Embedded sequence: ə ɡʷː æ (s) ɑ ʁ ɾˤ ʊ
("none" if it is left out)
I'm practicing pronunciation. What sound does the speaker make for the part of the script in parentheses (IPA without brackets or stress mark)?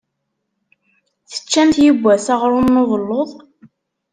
s